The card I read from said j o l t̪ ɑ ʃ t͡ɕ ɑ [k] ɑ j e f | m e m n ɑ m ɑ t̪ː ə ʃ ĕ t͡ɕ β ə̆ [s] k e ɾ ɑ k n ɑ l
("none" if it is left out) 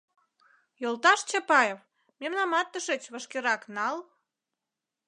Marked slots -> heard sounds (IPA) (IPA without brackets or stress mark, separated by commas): p, ʃ